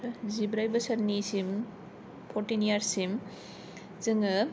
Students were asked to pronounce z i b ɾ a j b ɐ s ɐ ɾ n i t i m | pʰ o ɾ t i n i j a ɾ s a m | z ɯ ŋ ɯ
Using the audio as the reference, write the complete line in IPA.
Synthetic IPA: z i b ɾ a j b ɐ s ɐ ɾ n i s i m | pʰ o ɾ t i n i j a ɾ s i m | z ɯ ŋ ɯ